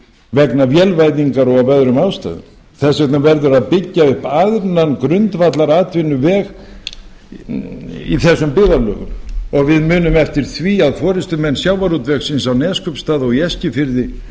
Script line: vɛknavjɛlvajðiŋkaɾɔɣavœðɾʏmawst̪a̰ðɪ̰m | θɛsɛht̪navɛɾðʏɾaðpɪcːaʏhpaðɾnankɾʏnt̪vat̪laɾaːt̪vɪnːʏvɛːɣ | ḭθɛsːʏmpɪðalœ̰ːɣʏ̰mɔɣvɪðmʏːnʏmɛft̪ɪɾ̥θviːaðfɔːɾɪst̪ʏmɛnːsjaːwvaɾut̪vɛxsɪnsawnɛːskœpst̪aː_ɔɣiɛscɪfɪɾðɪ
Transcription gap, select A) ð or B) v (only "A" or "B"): A